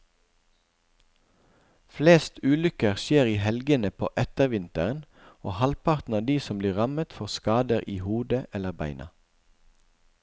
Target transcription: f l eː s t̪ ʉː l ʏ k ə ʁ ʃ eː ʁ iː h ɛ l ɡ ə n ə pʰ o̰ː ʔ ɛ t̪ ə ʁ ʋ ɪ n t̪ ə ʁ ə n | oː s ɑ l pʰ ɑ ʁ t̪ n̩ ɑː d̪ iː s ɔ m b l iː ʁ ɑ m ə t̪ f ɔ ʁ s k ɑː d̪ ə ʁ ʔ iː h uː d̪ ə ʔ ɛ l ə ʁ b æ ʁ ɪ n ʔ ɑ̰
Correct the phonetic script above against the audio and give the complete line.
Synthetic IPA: f l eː s t̪ ʉː l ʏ k ə ʁ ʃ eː ʁ iː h ɛ l ɡ ə n ə pʰ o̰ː ʔ ɛ t̪ ə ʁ ʋ ɪ n t̪ ə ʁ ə n | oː h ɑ l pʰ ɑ ʁ t̪ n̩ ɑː d̪ iː s ɔ m b l iː ʁ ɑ m ə t̪ f ɔ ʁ s k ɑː d̪ ə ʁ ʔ iː h uː d̪ ə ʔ ɛ l ə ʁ b æ ɪ n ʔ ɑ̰